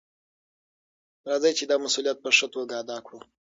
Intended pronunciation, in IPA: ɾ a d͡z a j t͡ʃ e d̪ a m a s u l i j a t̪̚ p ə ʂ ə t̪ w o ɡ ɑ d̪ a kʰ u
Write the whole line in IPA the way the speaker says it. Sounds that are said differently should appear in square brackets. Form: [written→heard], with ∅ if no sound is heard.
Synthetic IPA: ɾ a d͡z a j t͡ʃ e d̪ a m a s u l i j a t̪̚ p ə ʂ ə t̪ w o ɡ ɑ d̪ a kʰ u